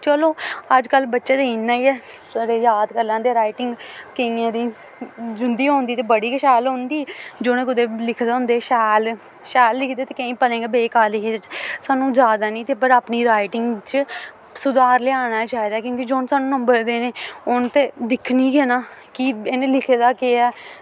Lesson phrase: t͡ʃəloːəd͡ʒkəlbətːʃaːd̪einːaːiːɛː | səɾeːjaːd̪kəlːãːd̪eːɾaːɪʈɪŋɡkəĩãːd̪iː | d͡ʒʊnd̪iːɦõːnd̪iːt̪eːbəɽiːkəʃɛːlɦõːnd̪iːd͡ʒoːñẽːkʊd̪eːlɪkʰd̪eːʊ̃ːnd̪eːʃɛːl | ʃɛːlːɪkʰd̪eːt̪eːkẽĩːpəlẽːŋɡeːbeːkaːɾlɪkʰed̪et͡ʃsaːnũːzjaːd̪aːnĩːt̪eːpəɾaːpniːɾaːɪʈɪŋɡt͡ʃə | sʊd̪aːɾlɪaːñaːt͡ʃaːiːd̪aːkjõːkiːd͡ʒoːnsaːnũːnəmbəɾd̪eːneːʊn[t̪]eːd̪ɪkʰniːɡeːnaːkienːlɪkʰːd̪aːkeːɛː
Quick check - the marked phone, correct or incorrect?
correct